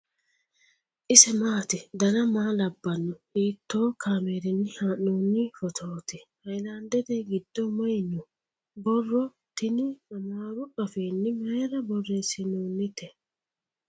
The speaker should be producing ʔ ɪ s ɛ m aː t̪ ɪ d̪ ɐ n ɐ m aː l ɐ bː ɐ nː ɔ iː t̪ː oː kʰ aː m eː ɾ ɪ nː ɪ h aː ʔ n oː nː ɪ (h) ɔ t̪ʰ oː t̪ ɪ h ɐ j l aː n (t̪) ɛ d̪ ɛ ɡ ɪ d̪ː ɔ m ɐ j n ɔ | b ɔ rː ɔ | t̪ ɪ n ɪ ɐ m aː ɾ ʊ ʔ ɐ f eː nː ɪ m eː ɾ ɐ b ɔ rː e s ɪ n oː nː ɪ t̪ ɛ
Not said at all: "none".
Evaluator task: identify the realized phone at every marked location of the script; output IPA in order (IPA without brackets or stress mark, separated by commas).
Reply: f, d̪